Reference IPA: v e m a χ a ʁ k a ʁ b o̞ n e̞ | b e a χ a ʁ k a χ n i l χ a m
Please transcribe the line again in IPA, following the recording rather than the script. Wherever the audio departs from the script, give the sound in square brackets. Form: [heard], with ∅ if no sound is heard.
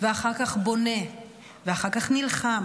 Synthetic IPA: v e [∅] a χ a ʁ k a [χ] b o̞ n e̞ | [v] e a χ a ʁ k a χ n i l χ a m

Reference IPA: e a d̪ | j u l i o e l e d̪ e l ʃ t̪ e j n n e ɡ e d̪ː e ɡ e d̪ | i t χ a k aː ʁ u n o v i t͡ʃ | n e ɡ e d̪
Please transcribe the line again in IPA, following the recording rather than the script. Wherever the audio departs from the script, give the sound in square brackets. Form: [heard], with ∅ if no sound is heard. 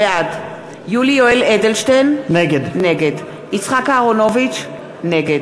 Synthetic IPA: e a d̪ | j u l i o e l e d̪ e l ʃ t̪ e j n n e ɡ e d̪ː e ɡ e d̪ | i [t͡s] χ a k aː ʁ [o] n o v i t͡ʃ | n e ɡ e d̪

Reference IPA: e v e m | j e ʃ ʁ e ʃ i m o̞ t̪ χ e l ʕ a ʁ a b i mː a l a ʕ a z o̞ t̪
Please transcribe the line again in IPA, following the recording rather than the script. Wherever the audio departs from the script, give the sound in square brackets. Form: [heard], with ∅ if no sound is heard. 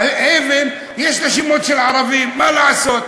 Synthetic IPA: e v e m | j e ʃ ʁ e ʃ i m o̞ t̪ [ʃ] e l ʕ a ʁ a [v] i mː a l a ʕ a [s] o̞ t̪

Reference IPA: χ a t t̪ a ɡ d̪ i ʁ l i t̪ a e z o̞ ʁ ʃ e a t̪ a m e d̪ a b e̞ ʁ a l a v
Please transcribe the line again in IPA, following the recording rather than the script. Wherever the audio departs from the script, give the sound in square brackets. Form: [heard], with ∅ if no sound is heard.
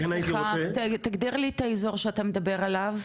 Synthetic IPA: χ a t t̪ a ɡ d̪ i ʁ l i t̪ a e z o̞ ʁ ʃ e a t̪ a m e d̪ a b e̞ ʁ a l a v

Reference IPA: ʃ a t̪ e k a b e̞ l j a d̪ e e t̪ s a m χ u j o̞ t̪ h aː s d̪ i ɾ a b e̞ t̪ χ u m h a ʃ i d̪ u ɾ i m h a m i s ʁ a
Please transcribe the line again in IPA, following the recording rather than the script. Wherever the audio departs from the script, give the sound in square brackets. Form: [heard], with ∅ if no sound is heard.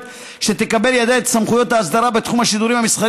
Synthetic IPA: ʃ [e] t̪ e k a b e̞ l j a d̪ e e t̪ s a m χ u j o̞ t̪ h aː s d̪ [a] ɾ a b e̞ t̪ χ u m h a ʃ i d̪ u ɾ i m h a m i s [χ] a

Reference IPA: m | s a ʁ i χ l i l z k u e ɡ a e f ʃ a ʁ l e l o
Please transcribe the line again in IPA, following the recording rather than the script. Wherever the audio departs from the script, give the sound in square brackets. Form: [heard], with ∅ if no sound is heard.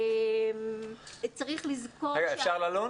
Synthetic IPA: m | [t͡s] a ʁ i χ l i [∅] z k [o] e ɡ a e f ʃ a ʁ l [a] l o

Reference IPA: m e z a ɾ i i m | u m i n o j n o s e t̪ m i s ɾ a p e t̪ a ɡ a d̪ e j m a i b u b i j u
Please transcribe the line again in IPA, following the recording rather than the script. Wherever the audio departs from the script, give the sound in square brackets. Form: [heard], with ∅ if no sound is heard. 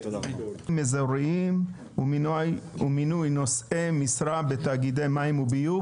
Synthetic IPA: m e z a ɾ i i m | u m i n [u] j n o s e [∅] m i s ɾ a [b] e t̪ a ɡ [i] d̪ e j m a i [m] u b i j u

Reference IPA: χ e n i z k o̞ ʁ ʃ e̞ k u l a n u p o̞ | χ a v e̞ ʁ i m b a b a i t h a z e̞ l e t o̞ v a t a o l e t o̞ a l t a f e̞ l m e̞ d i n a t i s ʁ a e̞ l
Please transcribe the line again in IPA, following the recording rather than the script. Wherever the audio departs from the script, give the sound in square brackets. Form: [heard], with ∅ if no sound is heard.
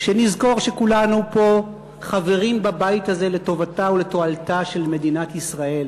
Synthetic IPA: [ʃ] e n i z k o̞ ʁ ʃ e̞ k u l a n u p o̞ | χ a v e̞ ʁ i m b a b a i t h a z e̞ l e t o̞ v a t a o l e t o̞ a l t a [ʃ] e̞ l m e̞ d i n a t i s ʁ a e̞ l

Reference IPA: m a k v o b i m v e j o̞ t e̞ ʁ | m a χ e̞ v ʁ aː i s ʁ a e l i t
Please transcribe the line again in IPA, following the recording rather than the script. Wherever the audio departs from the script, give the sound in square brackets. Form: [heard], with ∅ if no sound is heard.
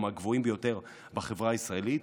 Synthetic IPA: m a [ɡ] v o [∅] i m [b] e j o̞ t e̞ ʁ | [b] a χ e̞ v ʁ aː i s ʁ a e l i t

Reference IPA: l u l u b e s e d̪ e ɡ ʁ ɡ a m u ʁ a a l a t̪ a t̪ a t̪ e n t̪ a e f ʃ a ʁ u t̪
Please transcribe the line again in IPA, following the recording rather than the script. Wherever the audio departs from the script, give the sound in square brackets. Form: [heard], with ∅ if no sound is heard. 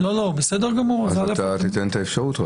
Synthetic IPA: l [o] l [o] b e s e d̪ e [∅] ʁ ɡ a m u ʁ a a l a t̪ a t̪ [i] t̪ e n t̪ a e f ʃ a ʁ u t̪

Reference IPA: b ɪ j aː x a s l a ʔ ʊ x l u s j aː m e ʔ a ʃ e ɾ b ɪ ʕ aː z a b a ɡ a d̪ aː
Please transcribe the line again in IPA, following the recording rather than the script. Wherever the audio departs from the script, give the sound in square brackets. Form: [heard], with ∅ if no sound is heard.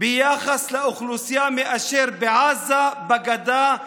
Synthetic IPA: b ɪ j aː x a s l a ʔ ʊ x l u s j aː m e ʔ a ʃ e ɾ b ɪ ʕ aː z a b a ɡ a d̪ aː

